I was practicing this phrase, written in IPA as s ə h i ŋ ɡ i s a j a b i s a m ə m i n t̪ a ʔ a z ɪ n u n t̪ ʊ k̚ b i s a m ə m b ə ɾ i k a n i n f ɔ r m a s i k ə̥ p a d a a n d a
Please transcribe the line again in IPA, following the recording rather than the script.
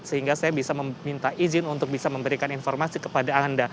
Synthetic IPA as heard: s ə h i ŋ ɡ a s a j a b i s a m ə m i n t̪ a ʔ i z ɪ n u n t̪ ʊ k̚ b i s a m ə m b ə ɾ i k a n i n f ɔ r m a s i k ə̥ p a d a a n d a